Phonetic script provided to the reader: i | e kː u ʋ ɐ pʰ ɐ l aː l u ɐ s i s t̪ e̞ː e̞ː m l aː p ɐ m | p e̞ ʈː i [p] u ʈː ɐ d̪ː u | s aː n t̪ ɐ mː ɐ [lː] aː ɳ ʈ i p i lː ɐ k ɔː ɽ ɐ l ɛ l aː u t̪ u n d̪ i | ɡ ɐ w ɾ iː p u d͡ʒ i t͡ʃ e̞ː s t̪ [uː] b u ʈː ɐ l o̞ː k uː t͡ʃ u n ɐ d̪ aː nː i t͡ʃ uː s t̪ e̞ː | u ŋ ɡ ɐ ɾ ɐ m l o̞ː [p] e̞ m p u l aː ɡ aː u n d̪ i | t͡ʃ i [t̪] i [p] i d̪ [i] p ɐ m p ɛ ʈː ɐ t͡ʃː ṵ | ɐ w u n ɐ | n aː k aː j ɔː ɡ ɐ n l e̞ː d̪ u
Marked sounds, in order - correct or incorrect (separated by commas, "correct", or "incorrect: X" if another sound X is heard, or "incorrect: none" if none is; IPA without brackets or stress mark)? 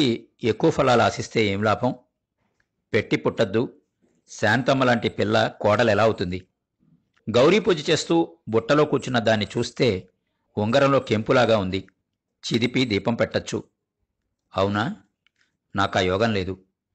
correct, incorrect: l, correct, incorrect: k, incorrect: d̪, correct, incorrect: iː